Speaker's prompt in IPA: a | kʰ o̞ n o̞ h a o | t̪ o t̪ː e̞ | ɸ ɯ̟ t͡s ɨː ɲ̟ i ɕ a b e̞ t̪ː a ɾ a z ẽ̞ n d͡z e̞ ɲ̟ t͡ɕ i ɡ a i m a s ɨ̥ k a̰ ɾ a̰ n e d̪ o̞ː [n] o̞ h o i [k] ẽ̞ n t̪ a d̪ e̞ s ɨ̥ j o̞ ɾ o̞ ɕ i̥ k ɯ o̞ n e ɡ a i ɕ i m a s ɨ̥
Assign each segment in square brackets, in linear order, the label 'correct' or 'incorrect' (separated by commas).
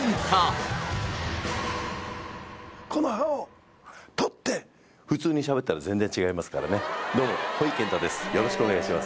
incorrect, correct